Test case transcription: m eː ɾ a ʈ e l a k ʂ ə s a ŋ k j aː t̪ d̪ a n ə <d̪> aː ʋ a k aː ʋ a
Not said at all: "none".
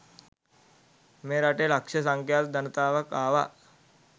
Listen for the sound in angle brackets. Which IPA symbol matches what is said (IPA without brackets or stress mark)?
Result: t̪